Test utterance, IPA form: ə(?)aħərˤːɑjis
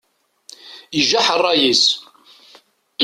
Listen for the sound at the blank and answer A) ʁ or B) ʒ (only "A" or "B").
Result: B